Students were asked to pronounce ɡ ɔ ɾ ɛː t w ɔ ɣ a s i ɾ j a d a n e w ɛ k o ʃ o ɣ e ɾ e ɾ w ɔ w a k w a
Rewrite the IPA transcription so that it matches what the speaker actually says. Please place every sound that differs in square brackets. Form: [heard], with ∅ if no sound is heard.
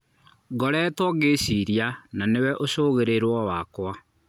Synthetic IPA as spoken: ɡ ɔ ɾ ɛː t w ɔ ɣ [e] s i ɾ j a [n] a n e w ɛ [ʔ] o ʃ o ɣ e ɾ e ɾ w ɔ w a k w a